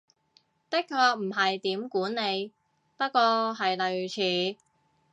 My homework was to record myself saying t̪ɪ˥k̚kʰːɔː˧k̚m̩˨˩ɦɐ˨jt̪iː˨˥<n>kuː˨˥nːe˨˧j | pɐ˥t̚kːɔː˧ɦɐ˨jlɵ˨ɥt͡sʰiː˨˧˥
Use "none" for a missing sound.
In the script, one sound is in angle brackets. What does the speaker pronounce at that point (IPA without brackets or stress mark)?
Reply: m